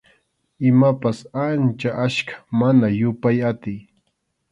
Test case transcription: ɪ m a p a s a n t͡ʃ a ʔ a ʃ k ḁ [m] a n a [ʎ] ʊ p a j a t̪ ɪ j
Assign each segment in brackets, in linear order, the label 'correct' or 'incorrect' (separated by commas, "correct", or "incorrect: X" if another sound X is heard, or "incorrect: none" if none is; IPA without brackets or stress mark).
correct, incorrect: j